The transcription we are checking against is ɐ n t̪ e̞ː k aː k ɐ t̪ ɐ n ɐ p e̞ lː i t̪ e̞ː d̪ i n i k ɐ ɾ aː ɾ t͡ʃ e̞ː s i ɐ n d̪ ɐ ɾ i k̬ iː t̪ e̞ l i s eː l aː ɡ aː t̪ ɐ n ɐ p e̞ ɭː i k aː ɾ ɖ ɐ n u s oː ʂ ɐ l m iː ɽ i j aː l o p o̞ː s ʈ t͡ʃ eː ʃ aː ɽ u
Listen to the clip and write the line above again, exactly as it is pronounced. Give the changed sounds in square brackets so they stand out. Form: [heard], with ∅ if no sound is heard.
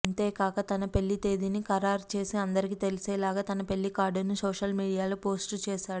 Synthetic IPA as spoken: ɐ n t̪ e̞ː k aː k ɐ t̪ ɐ n ɐ p e̞ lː i t̪ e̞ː d̪ i n i k ɐ ɾ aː ɾ t͡ʃ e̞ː s i ɐ n d̪ ɐ ɾ i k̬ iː t̪ e̞ l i s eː l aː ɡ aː t̪ ɐ n ɐ p e̞ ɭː i k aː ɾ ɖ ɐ n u s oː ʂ ɐ l m iː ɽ i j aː l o p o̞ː s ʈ t͡ʃ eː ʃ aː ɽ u